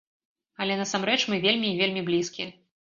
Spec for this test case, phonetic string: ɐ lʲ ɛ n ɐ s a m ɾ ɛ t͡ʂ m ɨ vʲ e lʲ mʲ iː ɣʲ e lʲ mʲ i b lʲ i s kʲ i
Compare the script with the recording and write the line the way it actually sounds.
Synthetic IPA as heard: ɐ lʲ ɛ n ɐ s a m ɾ ɛ t͡ʂ m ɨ vʲ e lʲ mʲ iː vʲ e lʲ mʲ i b lʲ i s kʲ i